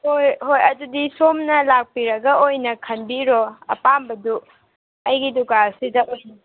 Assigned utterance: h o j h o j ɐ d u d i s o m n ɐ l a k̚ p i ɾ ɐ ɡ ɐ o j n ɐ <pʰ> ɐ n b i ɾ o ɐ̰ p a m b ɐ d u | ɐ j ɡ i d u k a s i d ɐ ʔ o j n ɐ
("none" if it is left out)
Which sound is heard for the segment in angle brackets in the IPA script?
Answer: kʰ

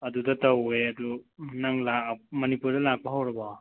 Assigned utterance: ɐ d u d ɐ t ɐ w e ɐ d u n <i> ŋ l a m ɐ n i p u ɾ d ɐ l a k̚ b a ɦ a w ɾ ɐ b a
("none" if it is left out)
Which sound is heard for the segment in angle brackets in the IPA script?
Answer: a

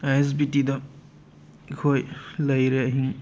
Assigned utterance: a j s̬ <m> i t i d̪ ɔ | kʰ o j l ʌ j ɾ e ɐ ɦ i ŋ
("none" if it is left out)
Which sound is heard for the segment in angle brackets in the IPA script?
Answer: b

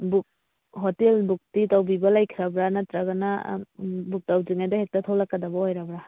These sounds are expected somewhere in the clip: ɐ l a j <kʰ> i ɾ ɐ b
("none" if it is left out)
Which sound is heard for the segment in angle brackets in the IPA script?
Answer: kʰ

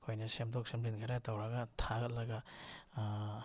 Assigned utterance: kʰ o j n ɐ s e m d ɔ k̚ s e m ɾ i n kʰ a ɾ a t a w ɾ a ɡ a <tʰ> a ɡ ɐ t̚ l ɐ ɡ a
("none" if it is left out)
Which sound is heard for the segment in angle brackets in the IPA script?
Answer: tʰ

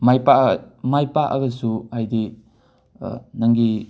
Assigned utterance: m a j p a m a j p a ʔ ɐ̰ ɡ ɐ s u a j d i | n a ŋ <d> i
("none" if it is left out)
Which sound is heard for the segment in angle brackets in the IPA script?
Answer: ɡ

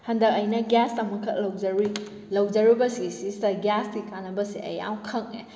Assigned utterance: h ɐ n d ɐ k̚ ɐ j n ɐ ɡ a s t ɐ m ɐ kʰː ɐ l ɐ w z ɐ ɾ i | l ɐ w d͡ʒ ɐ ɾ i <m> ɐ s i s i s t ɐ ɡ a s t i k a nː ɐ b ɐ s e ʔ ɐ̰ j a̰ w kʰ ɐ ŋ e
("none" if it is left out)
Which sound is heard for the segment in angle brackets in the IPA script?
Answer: b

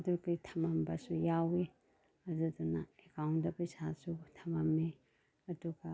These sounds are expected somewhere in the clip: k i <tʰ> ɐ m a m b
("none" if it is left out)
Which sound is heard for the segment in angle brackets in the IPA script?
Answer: tʰ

